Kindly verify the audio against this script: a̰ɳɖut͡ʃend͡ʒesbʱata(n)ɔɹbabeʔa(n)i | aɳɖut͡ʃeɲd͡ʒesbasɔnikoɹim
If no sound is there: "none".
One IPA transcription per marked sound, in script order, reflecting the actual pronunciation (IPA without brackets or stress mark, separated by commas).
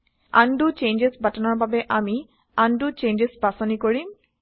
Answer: n, m